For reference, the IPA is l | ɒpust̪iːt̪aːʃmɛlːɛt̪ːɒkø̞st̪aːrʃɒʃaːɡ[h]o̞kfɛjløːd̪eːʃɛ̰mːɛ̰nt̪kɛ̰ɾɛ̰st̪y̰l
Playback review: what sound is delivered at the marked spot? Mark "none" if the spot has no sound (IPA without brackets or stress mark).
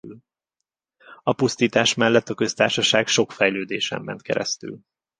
ʃ